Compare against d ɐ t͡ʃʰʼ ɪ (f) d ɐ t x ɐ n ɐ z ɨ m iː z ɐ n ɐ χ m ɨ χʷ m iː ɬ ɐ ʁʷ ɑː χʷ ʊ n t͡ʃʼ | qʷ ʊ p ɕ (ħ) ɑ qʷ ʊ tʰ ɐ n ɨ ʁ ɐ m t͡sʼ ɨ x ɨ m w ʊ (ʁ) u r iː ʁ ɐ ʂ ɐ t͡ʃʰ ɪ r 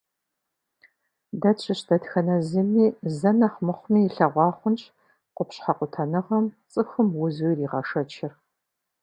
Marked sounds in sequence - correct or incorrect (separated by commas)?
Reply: incorrect, correct, incorrect